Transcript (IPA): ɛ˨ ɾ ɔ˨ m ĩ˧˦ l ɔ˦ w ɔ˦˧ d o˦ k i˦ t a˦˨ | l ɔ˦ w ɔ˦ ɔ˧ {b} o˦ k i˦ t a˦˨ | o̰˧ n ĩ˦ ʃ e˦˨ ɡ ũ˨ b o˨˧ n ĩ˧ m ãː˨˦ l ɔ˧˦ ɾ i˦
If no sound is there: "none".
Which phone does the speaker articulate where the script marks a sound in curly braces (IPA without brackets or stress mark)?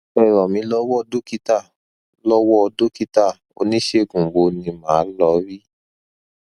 d